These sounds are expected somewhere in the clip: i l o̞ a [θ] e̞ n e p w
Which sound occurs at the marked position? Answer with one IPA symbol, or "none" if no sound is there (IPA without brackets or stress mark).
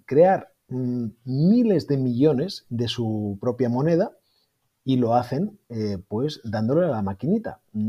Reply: θ